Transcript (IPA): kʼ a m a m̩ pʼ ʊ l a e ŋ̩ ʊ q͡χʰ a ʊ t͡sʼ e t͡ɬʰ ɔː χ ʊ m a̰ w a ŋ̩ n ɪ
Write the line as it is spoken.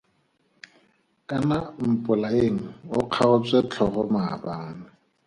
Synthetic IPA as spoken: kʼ a n a m̩ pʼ ʊ l a e ŋ̩ ʊ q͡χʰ a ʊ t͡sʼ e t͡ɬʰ ɔ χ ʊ m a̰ b a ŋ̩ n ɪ